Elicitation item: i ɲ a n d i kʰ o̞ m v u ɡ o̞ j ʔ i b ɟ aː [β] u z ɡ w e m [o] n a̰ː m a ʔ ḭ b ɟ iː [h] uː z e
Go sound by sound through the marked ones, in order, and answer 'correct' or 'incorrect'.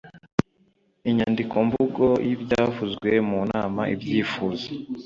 incorrect, incorrect, incorrect

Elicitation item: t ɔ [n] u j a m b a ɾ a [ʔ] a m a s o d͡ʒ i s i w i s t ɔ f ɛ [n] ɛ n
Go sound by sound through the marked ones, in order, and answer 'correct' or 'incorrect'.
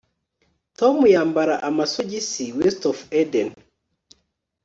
incorrect, correct, incorrect

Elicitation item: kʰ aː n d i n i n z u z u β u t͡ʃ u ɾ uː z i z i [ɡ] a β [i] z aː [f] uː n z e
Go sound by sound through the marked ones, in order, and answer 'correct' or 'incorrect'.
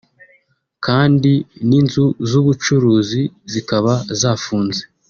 incorrect, incorrect, correct

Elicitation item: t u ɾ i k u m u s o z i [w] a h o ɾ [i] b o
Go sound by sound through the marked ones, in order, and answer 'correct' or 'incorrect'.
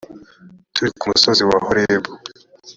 correct, incorrect

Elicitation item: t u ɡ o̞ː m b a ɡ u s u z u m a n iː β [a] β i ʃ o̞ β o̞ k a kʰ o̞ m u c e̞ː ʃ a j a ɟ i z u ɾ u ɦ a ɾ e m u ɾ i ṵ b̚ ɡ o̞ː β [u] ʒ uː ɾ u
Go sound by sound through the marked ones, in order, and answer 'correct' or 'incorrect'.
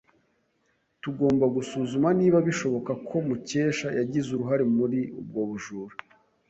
correct, correct

